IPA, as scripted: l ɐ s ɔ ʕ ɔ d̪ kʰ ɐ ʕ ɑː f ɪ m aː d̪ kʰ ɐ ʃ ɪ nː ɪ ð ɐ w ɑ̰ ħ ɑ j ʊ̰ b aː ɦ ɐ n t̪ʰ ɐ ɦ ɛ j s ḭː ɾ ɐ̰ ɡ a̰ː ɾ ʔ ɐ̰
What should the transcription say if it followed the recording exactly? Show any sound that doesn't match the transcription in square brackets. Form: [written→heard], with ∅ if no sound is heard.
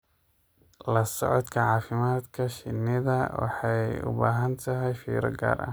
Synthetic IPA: l ɐ s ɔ ʕ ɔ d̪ kʰ ɐ ʕ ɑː f ɪ m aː d̪ kʰ ɐ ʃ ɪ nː ɪ ð ɐ w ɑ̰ ħ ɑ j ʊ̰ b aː ɦ ɐ n t̪ʰ ɐ ɦ ɛ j [s→f] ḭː ɾ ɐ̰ ɡ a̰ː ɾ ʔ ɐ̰